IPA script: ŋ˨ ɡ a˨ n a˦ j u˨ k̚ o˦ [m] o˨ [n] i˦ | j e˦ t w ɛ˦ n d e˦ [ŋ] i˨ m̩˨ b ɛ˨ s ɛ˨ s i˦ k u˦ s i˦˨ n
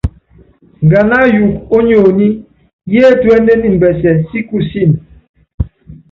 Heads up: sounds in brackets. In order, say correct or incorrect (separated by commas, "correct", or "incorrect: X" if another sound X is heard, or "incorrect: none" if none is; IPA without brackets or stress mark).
incorrect: ɲ, correct, incorrect: n